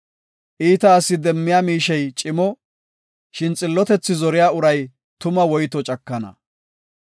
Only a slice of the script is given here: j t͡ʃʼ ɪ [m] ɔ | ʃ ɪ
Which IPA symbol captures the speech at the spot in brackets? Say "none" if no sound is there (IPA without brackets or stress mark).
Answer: m